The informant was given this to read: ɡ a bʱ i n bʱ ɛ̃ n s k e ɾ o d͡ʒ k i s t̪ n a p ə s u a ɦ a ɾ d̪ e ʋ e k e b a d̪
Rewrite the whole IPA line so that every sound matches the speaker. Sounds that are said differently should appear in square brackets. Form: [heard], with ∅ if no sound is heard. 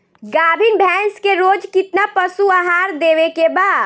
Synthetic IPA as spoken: ɡ a bʱ i n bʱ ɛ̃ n s k e ɾ o d͡ʒ k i [∅] t̪ n a p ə s u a ɦ a ɾ d̪ e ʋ e k e b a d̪

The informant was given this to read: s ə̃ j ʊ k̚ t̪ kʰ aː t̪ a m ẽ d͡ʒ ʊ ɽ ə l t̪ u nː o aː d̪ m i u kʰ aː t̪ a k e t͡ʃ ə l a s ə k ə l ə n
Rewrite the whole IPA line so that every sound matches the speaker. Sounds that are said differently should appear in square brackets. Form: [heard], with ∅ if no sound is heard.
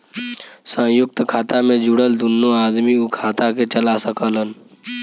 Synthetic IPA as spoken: s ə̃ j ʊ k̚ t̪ kʰ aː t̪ a m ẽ d͡ʒ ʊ ɽ ə l [d̪] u nː o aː d̪ m i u kʰ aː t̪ a k e t͡ʃ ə l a s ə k ə l ə n

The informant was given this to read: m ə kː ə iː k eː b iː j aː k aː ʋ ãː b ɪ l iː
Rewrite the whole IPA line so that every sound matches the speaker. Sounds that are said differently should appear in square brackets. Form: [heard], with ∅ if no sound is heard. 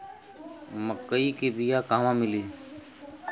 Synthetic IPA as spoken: m ə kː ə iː k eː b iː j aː k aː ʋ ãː [m] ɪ l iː

